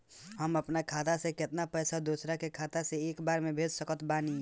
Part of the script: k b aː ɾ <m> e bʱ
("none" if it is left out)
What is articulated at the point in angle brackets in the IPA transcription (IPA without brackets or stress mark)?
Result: m